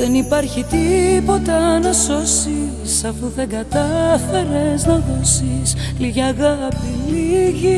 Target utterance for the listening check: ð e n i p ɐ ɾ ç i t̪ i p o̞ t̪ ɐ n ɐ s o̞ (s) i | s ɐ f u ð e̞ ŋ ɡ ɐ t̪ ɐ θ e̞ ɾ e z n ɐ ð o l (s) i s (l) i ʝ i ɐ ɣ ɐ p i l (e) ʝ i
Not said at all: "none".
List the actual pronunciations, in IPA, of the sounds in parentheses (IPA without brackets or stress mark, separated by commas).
s, s, l, i